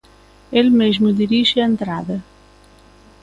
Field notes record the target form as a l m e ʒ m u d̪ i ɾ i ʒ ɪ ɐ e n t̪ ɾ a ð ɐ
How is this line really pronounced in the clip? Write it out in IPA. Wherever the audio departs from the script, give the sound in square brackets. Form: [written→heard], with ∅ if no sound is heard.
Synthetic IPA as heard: [a→e] l m e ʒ m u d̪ i ɾ i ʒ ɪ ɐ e n t̪ ɾ a ð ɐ